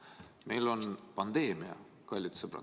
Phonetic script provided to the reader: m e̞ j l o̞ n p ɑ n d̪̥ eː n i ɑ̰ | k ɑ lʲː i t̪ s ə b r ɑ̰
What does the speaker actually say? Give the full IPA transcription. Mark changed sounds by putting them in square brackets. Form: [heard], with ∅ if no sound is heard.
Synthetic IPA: m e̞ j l o̞ n p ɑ n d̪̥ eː [m] i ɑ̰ | k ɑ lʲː i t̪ s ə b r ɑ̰